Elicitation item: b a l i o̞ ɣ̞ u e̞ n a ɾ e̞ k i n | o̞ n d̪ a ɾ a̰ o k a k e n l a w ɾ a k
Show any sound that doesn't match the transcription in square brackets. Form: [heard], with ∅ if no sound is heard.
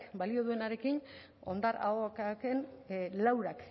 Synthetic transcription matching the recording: b a l i o̞ [ð̞] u e̞ n a ɾ e̞ k i n | o̞ n d̪ a ɾ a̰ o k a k e n l a w ɾ a k